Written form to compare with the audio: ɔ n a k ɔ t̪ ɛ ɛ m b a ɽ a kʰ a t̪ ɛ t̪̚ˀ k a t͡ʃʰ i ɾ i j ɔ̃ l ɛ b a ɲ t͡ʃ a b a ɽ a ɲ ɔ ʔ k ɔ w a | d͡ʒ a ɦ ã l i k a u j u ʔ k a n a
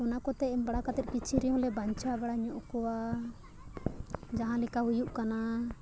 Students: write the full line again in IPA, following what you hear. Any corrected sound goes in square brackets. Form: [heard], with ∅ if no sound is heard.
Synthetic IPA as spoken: ɔ n a k ɔ t̪ ɛ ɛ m b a ɽ a [k] a t̪ ɛ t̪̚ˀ k [i] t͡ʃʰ i ɾ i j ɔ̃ l ɛ b a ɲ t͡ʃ a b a ɽ a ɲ ɔ ʔ k ɔ w a | d͡ʒ a ɦ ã l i k a u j u ʔ k a n a